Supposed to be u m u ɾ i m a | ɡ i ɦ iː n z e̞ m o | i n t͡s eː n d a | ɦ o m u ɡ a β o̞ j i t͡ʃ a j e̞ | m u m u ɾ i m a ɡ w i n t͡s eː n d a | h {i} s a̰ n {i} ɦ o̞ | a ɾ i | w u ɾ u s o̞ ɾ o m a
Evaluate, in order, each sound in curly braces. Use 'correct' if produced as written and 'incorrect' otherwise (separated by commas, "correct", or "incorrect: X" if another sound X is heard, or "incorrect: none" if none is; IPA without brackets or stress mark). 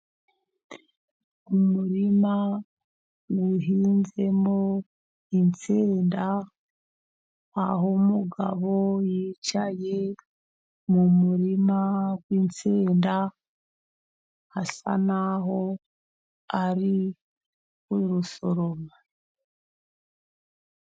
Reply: incorrect: a, incorrect: a